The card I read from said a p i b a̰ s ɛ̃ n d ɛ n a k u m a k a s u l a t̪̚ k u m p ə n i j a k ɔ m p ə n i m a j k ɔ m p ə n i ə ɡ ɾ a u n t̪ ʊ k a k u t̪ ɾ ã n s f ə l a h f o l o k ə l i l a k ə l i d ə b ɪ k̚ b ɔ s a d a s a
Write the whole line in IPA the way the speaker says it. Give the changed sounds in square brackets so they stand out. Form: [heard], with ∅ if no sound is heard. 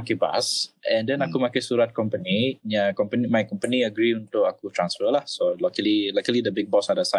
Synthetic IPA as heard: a [k] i b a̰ s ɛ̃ n d ɛ n a k u m a k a s u [ɾ] a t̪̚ k [ɔ] m p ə n i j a k ɔ m p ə n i m a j k ɔ m p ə n i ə ɡ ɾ [i] u n t̪ ʊ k a k u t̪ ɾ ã n s f ə l a h [s] o l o k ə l i l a k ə l i d ə b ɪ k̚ b ɔ s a d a s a